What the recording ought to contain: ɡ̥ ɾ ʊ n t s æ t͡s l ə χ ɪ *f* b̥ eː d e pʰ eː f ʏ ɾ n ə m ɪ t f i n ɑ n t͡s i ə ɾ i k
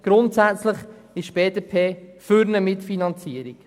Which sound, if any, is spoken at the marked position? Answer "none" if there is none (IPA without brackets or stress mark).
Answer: ʃ